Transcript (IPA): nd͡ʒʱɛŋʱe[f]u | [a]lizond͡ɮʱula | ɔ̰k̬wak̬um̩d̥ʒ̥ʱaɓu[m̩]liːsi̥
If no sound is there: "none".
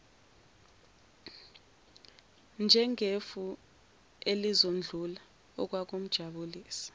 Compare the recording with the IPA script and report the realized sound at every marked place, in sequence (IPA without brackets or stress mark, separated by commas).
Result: f, e, none